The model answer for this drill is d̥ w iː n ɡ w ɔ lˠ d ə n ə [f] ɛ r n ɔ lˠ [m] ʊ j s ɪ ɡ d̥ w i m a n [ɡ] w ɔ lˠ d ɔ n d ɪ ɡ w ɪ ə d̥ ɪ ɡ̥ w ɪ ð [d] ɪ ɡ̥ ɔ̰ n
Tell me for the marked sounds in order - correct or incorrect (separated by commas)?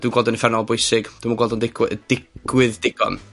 correct, incorrect, correct, correct